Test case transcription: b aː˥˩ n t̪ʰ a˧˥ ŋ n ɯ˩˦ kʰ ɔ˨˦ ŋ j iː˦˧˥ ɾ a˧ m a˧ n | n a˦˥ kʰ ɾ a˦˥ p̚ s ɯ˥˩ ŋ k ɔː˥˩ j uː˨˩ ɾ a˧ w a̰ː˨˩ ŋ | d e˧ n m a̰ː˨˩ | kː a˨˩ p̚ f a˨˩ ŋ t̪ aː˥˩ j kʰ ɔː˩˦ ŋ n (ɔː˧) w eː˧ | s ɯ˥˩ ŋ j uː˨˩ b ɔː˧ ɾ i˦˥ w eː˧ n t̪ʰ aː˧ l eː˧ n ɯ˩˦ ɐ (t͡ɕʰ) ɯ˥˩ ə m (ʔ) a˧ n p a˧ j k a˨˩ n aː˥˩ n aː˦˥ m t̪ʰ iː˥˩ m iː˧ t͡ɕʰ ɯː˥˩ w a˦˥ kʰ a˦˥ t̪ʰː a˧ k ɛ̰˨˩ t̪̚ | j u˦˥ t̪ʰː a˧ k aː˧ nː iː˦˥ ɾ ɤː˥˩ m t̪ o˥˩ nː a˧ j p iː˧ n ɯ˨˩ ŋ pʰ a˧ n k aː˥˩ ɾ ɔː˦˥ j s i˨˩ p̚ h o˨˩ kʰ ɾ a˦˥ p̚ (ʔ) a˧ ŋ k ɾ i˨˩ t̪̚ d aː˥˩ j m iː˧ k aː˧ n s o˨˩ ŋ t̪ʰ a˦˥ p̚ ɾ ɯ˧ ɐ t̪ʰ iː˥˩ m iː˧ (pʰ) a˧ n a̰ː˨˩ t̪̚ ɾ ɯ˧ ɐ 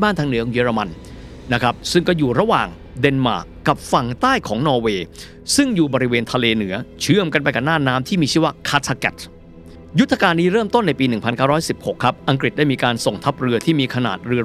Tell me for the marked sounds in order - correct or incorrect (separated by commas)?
correct, correct, incorrect, correct, incorrect